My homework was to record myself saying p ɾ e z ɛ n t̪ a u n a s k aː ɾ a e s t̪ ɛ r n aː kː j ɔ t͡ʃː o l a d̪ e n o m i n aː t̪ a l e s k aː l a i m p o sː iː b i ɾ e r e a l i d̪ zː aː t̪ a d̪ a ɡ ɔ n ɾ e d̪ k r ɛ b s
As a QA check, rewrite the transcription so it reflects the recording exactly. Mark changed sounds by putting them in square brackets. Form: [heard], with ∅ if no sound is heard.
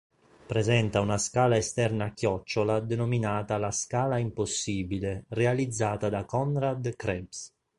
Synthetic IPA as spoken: p ɾ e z ɛ n t̪ a u n a s k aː [l] a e s t̪ ɛ r n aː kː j ɔ t͡ʃː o l a d̪ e n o m i n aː t̪ a l [a] s k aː l a i m p o sː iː b i [l] e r e a l i d̪ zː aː t̪ a d̪ a [k] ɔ n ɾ [a] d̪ k [ɾ] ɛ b s